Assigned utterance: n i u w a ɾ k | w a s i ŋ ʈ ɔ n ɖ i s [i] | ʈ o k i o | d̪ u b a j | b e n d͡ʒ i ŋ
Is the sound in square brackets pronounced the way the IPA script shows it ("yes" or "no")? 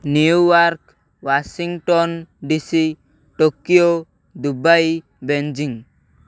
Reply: yes